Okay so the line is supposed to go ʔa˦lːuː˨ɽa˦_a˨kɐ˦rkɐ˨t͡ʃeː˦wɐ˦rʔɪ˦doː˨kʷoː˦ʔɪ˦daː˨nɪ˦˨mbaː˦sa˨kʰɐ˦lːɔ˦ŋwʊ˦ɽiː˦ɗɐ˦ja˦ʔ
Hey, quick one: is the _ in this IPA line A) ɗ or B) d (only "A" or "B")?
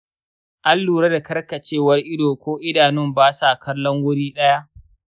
B